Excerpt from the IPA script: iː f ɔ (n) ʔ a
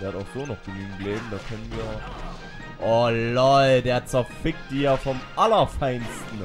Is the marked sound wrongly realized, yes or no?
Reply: yes